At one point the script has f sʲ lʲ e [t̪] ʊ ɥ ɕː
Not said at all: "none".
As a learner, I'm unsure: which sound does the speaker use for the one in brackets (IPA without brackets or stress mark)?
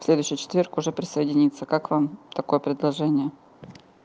d̪